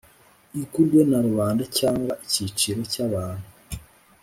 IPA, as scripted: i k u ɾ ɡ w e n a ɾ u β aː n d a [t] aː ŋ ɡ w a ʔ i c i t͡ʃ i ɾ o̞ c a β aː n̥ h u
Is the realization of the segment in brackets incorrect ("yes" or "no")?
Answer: yes